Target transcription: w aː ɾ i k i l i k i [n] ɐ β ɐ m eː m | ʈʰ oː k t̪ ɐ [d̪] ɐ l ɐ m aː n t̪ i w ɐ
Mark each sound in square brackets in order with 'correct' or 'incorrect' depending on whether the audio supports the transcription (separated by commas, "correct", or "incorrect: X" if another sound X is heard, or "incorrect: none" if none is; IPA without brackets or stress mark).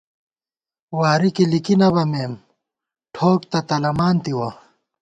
correct, incorrect: t̪